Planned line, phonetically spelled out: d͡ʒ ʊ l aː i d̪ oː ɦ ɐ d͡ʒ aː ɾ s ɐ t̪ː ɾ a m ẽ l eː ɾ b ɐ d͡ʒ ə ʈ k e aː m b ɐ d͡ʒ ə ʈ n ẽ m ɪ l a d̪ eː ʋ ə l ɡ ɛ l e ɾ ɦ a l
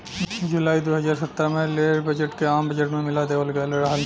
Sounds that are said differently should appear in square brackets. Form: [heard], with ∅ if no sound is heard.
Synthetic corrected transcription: d͡ʒ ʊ l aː i d̪ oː ɦ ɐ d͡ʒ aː ɾ s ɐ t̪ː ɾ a m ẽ l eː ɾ b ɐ d͡ʒ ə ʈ k e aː m b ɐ d͡ʒ ə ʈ [m] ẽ m ɪ l a d̪ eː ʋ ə l ɡ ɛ l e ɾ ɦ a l